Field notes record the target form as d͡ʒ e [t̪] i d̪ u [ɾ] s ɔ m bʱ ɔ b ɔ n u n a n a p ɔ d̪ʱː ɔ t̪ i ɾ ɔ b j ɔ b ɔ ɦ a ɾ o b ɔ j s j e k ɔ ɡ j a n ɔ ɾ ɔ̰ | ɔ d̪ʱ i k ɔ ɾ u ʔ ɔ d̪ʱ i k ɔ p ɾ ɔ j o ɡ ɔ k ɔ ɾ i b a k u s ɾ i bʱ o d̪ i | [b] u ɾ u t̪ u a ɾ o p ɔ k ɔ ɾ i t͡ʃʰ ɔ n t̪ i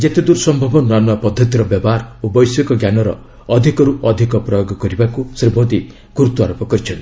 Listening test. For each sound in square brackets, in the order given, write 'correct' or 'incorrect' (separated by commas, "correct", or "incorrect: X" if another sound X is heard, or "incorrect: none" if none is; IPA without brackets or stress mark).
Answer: correct, correct, incorrect: ɡ